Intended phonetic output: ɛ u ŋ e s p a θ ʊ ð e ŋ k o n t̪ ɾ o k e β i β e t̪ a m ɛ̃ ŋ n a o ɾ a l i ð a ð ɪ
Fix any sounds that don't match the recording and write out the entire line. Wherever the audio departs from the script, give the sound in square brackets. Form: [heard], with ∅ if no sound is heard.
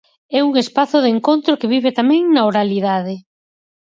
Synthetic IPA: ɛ u ŋ e s p a θ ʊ ð e ŋ k o n t̪ ɾ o k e β i β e t̪ a m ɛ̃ ŋ n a o ɾ a l i ð a ð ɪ